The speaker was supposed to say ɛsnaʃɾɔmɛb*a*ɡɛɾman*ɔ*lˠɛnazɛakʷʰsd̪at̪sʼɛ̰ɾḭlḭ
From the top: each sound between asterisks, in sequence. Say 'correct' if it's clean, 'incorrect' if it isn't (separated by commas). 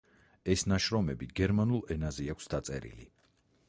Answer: incorrect, incorrect